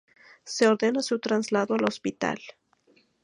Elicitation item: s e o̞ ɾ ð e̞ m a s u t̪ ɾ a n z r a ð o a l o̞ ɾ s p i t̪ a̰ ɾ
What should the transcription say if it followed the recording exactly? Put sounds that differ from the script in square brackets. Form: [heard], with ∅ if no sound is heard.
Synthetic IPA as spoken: s e o̞ ɾ ð e̞ [n] a s u t̪ ɾ a n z [l] a ð o a l o̞ [∅] s p i t̪ a̰ [l]